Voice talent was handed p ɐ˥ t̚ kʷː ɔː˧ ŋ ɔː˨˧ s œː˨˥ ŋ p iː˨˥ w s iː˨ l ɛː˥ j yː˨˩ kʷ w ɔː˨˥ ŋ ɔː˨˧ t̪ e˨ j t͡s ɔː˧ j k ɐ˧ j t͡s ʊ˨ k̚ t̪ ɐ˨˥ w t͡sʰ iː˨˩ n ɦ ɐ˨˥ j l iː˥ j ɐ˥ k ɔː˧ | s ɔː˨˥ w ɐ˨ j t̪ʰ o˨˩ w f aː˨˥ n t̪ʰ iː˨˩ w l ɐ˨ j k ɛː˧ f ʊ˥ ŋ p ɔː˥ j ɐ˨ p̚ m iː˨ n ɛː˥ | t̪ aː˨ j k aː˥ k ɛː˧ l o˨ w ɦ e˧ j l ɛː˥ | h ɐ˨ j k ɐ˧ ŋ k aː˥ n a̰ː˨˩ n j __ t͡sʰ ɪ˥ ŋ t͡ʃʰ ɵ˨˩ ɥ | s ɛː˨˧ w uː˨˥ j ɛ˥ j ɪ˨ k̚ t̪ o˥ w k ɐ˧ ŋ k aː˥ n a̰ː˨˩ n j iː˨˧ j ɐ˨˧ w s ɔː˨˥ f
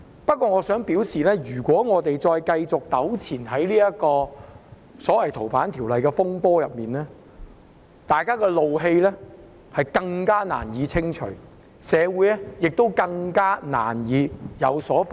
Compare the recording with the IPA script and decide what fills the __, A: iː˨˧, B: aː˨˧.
A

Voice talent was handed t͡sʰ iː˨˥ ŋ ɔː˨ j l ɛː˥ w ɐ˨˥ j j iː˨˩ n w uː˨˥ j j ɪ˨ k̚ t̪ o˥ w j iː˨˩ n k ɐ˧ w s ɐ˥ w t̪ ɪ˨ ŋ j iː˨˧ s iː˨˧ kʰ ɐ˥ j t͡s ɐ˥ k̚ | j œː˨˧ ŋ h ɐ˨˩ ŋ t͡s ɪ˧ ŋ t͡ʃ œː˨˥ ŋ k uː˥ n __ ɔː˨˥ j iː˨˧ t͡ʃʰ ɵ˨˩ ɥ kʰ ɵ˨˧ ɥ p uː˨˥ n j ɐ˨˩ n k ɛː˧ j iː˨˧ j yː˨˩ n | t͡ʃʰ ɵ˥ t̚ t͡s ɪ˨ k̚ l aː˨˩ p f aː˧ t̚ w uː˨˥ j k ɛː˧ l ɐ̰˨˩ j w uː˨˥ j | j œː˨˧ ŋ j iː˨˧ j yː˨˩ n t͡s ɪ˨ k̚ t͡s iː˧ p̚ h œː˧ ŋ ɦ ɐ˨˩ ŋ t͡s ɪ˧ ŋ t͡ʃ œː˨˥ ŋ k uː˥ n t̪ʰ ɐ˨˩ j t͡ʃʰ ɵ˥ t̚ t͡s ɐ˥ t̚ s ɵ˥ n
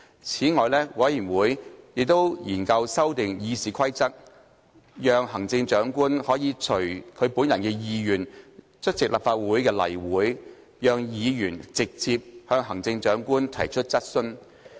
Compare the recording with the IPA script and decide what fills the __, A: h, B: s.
A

